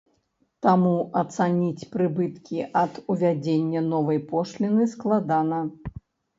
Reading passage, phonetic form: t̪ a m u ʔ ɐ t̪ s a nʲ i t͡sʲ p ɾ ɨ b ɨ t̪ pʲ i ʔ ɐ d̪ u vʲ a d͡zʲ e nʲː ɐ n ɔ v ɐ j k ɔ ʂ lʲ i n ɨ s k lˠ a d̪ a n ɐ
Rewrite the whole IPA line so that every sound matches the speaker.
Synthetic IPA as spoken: t̪ a m u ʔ ɐ t̪ s a nʲ i t͡sʲ p ɾ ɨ b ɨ t̪ kʲ i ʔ ɐ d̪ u vʲ a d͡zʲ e nʲː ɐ n ɔ v ɐ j p ɔ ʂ lʲ i n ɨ s k lˠ a d̪ a n ɐ